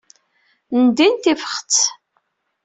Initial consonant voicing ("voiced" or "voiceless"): voiced